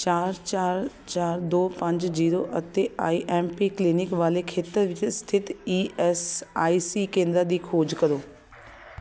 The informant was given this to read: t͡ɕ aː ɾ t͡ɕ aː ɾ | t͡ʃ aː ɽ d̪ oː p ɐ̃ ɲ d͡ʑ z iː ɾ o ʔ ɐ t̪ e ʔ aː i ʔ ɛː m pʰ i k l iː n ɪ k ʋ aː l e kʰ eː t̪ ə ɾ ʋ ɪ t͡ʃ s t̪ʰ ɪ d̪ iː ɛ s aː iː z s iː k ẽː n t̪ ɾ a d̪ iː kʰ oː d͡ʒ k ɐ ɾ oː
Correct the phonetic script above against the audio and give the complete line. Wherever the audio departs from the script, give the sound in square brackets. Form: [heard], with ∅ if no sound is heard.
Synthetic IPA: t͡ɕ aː ɾ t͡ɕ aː ɾ | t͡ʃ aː [ɾ] d̪ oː p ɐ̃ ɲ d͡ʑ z iː ɾ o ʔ ɐ t̪ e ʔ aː i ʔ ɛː m [p] i k l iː n ɪ k ʋ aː l e kʰ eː t̪ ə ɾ ʋ ɪ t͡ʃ s t̪ʰ ɪ [t̪] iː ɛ s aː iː [∅] s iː k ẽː n [d̪] ɾ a d̪ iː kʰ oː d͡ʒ k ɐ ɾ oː